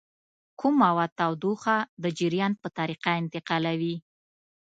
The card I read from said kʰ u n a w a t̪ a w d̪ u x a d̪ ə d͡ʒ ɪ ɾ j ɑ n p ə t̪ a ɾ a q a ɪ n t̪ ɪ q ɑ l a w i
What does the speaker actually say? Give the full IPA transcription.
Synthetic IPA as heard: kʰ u m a w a t̪ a w d̪ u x a d̪ ə d͡ʒ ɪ ɾ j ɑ n p ə t̪ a ɾ i q a ɪ n t̪ ɪ q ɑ l a w i